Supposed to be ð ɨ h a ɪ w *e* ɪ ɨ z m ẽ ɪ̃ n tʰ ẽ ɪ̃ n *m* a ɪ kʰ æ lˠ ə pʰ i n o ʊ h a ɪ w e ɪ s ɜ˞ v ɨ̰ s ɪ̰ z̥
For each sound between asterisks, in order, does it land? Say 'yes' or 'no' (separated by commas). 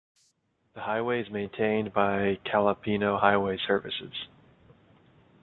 yes, no